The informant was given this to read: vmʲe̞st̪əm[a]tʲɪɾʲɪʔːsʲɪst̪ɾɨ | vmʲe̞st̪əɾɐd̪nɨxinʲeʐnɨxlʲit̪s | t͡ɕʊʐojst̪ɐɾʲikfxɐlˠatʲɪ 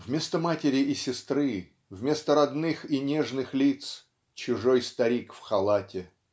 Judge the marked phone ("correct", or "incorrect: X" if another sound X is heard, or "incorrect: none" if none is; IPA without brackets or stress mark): correct